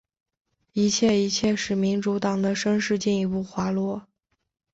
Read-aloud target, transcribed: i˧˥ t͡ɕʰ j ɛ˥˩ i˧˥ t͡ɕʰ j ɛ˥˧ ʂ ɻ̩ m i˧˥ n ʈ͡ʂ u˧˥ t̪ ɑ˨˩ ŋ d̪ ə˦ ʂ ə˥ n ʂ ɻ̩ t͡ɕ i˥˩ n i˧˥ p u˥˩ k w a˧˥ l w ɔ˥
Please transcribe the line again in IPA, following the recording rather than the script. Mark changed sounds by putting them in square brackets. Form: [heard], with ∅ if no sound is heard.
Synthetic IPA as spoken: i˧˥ t͡ɕʰ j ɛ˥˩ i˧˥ t͡ɕʰ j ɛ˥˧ ʂ ɻ̩ m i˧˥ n ʈ͡ʂ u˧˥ t̪ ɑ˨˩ ŋ d̪ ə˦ ʂ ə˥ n ʂ ɻ̩ t͡ɕ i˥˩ n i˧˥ p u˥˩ [x] w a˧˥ l w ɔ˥